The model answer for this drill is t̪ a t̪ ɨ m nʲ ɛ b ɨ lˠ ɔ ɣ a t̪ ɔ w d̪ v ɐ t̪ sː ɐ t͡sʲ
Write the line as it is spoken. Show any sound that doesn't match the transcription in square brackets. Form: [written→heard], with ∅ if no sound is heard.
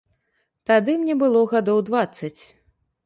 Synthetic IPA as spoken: t̪ a [t̪→d̪] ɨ m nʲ ɛ b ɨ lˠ ɔ ɣ a [t̪→d̪] ɔ w d̪ v [ɐ→a] t̪ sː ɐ t͡sʲ